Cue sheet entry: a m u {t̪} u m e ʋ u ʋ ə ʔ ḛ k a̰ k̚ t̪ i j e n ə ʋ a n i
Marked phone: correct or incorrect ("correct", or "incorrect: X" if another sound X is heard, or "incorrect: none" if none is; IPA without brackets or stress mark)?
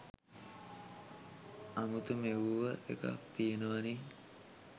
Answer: correct